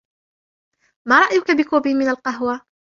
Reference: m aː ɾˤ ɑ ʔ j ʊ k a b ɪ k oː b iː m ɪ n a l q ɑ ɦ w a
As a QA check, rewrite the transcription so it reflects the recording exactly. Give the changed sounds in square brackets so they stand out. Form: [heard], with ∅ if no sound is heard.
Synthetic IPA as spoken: m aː ɾˤ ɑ ʔ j ʊ k a b ɪ k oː b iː m ɪ n a l q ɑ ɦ w a